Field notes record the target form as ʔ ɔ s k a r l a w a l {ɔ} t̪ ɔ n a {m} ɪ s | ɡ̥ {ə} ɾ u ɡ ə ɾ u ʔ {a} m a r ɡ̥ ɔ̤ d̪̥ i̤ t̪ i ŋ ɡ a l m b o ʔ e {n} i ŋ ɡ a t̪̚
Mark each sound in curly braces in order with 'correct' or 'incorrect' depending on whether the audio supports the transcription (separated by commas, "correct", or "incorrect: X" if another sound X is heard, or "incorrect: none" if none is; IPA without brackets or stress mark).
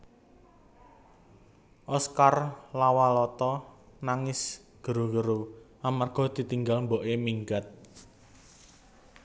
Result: correct, incorrect: ŋ, correct, correct, incorrect: m